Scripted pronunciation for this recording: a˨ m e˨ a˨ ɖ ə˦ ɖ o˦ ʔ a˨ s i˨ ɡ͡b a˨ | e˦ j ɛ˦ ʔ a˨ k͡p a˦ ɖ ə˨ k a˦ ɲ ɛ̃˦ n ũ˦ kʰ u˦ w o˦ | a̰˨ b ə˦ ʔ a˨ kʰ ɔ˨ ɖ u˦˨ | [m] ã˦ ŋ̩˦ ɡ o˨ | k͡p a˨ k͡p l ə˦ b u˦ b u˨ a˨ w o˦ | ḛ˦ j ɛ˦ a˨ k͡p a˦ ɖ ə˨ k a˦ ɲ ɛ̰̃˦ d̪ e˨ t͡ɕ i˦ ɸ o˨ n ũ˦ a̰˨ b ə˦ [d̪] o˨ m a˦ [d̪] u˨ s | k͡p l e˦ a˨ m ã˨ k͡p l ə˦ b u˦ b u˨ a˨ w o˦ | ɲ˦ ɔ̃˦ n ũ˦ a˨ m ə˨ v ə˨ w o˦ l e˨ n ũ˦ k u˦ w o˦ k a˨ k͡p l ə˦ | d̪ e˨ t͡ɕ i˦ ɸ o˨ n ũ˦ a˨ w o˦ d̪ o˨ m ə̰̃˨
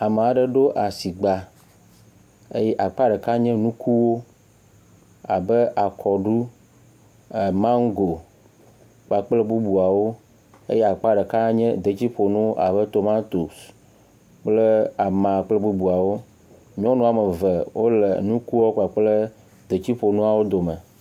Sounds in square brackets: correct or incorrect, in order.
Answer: correct, incorrect: t̪, incorrect: t̪

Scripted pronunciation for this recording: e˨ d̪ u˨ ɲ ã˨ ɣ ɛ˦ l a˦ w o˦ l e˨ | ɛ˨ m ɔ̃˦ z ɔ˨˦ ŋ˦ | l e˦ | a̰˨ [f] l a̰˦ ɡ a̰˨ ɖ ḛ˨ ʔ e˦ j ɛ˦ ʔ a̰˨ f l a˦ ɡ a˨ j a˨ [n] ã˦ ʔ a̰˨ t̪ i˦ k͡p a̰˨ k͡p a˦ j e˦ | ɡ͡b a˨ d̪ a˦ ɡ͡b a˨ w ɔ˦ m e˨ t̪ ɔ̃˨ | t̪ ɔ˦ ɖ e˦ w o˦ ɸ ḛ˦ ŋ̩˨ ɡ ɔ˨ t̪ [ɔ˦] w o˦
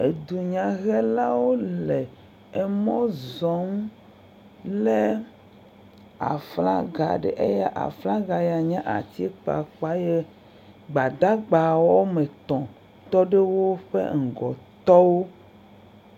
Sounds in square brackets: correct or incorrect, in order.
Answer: correct, incorrect: ɲ, correct

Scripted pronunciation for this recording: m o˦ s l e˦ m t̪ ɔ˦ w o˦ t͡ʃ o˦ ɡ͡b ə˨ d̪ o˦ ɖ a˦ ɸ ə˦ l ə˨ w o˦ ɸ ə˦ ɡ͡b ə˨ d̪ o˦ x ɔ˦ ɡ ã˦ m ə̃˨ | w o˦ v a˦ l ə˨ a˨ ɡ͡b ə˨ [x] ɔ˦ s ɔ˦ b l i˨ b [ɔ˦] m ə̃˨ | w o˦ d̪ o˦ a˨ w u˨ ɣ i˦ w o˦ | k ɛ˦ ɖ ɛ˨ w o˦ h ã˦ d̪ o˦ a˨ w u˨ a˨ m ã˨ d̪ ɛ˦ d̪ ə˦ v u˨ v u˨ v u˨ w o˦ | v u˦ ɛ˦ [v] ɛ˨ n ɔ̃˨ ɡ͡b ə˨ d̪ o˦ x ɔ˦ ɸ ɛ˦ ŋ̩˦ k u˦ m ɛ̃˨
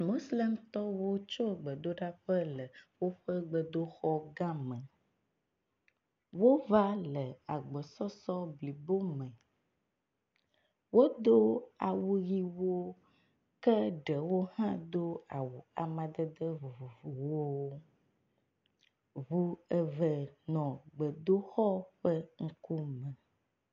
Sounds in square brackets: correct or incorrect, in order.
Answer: incorrect: s, incorrect: o˦, correct

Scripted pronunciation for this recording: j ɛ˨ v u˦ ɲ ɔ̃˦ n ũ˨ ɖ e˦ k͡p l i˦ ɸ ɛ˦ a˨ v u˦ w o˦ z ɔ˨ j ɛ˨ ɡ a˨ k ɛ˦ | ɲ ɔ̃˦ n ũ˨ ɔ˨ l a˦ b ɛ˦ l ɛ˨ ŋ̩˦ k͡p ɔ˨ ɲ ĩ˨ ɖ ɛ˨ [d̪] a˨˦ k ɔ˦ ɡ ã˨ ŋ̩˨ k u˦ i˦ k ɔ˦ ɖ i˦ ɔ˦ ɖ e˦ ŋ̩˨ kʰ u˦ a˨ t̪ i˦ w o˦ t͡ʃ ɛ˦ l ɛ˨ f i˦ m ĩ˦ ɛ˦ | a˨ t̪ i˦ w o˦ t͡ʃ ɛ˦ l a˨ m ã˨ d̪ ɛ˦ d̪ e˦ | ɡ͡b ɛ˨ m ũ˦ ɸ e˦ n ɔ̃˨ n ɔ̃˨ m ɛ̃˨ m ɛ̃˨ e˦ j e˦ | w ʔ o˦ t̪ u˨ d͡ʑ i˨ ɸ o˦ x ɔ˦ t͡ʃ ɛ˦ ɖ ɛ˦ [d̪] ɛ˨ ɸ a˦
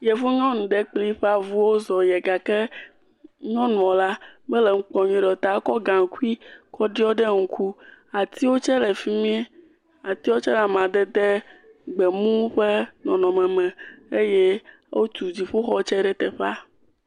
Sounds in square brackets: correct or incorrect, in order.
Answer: incorrect: t̪, incorrect: t̪

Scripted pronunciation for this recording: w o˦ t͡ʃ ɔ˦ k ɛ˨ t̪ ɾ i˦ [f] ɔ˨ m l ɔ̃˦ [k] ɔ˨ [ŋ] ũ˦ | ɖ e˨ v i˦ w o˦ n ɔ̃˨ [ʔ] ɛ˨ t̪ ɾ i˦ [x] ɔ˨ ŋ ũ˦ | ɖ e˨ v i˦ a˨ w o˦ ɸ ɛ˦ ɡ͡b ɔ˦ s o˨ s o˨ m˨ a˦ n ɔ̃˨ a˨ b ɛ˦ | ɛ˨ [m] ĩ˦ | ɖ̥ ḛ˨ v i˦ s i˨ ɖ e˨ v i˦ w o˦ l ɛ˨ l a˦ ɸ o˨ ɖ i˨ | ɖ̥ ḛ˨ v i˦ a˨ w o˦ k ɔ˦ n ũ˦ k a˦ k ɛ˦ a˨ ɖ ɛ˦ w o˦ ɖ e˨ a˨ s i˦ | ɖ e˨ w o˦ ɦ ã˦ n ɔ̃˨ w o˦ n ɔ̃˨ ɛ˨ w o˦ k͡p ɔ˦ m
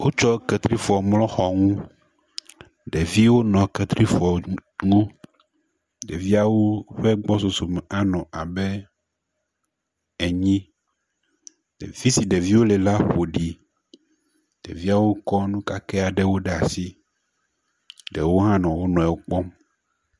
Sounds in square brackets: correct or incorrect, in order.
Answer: correct, incorrect: x, correct, incorrect: k, incorrect: f, incorrect: ɲ

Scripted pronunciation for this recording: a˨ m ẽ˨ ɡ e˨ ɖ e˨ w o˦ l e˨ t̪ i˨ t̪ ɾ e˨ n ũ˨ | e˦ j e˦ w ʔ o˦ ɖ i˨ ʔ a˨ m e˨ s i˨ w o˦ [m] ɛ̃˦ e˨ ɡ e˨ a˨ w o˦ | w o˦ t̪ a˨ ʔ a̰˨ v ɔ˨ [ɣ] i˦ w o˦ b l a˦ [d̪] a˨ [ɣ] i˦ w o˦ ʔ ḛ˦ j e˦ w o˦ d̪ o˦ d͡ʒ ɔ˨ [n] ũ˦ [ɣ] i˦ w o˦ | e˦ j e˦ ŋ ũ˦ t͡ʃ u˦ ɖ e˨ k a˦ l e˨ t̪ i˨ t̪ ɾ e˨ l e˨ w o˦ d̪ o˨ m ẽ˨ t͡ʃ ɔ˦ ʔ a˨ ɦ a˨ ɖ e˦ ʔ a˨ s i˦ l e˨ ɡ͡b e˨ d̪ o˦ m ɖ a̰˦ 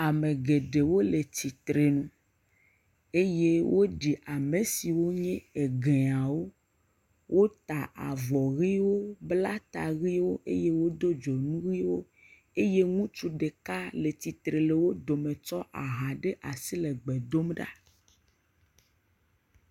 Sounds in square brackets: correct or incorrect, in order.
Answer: incorrect: ɲ, correct, incorrect: t̪, correct, correct, correct

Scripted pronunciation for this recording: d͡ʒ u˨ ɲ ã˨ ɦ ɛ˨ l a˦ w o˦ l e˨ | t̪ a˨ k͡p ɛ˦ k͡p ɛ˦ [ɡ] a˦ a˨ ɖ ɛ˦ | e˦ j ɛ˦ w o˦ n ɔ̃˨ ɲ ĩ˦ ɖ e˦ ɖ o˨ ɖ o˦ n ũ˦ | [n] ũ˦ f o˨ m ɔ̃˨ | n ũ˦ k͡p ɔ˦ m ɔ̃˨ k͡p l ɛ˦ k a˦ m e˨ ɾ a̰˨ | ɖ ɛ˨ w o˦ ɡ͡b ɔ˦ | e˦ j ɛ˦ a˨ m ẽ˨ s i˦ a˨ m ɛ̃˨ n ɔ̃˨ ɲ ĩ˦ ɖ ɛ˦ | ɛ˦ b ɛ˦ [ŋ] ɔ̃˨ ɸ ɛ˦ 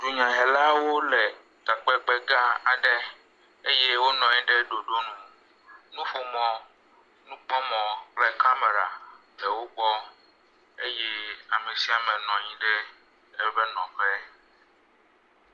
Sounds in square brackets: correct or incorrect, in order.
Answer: correct, correct, incorrect: n

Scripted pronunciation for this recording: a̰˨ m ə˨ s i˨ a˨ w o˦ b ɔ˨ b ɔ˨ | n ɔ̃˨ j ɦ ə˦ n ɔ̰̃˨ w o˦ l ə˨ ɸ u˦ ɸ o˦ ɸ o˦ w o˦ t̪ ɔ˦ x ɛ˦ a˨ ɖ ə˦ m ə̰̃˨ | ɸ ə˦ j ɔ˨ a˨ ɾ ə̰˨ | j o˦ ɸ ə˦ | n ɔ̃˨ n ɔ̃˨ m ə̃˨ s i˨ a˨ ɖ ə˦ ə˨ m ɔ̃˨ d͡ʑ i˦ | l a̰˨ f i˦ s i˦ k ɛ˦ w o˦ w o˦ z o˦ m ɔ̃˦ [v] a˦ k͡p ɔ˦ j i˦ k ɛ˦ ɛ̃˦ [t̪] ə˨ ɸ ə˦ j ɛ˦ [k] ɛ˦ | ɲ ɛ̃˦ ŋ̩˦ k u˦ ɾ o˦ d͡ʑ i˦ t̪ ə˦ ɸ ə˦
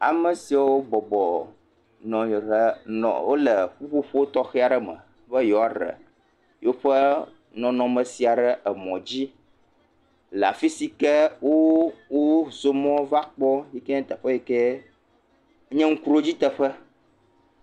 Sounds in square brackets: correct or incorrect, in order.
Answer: correct, correct, correct

